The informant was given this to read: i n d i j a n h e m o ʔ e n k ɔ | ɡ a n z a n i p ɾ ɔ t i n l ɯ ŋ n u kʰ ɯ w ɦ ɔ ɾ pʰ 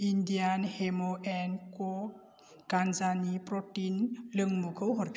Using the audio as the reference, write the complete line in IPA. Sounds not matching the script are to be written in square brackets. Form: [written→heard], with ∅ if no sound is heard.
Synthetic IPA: i n d i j a n h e m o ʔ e n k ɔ | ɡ a n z a n i p ɾ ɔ t i n l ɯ ŋ [n→m] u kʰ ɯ w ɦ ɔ ɾ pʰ